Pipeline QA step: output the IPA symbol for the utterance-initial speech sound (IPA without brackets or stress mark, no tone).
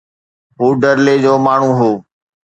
ɦ